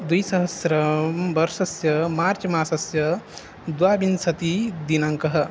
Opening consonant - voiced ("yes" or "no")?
yes